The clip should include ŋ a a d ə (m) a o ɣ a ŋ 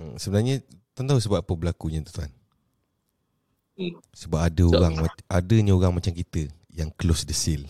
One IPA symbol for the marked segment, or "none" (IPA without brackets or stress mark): ɲ